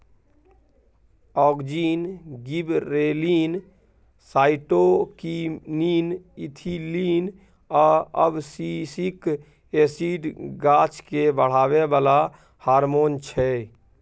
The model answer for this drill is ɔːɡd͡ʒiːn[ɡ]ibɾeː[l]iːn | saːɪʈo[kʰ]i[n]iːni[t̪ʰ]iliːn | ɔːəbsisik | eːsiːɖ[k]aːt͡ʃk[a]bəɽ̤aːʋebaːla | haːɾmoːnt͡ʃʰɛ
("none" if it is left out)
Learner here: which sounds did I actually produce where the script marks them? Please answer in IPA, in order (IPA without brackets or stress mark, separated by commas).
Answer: ɡ, l, k, n, t̪ʰ, ɡ, e